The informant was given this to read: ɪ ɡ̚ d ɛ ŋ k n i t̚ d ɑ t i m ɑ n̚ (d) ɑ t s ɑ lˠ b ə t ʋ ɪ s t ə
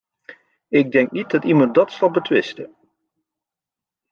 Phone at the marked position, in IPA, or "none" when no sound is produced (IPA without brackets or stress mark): d